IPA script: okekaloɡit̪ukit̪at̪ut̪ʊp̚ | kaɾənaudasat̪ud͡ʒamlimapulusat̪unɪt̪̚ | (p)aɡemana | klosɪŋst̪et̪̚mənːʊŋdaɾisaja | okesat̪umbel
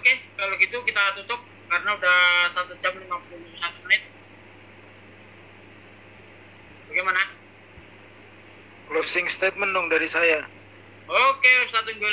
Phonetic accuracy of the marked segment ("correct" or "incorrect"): incorrect